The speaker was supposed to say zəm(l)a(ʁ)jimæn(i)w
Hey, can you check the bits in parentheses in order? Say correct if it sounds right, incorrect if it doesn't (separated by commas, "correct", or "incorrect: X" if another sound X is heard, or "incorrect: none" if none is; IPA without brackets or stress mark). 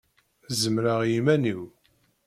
incorrect: ɾ, correct, correct